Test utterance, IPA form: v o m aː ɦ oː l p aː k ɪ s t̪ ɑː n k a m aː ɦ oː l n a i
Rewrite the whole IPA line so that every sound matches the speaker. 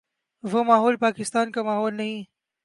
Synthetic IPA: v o m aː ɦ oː l p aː k ɪ s t̪ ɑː n k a m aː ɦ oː l n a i